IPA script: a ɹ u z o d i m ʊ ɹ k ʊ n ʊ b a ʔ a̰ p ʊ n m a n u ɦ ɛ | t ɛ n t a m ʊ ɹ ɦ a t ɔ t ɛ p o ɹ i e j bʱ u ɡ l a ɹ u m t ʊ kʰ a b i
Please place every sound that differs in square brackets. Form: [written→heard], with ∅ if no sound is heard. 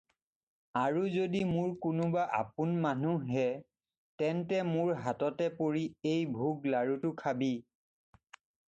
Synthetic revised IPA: a ɹ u z o d i m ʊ ɹ k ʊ n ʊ b a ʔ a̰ p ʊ n m a n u ɦ ɛ | t ɛ n t [a→ɛ] m ʊ ɹ ɦ a t ɔ t ɛ p o ɹ i e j bʱ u ɡ l a ɹ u [m→∅] t ʊ kʰ a b i